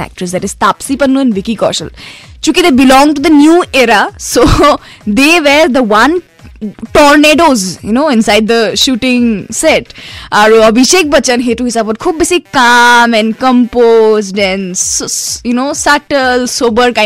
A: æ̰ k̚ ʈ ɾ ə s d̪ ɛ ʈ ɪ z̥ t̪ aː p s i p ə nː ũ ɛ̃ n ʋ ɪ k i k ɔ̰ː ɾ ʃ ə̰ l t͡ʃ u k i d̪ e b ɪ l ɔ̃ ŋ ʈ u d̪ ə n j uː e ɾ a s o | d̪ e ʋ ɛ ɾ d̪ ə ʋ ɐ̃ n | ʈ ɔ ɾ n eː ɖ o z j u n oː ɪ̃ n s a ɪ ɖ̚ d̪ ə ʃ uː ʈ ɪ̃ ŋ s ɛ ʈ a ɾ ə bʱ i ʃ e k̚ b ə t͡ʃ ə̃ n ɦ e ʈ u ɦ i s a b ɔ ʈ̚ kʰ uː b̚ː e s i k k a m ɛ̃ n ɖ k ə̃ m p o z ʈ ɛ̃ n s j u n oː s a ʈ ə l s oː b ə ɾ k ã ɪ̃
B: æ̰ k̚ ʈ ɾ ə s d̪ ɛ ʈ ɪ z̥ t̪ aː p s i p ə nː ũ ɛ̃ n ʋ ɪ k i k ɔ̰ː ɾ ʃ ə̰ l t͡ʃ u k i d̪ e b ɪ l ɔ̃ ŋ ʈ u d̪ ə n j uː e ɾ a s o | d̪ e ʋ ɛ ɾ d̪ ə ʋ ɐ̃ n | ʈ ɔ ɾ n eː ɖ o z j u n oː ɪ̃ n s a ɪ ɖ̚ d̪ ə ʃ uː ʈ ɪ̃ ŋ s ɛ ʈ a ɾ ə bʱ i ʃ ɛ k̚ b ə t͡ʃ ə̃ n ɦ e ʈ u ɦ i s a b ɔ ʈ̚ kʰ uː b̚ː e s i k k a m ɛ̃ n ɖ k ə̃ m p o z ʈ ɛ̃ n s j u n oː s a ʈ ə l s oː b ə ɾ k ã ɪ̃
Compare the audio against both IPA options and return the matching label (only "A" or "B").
A